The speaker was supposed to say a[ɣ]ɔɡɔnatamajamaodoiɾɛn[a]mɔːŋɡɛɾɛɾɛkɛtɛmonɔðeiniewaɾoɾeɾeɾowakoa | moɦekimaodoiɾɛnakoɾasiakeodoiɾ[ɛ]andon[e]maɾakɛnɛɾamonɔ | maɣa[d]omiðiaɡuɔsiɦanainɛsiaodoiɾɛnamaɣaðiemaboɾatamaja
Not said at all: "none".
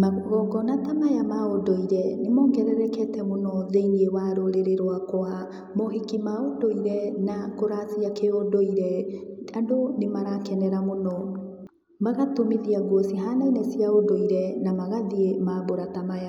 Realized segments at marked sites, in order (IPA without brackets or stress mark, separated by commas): ɣ, e, ɛ, e, t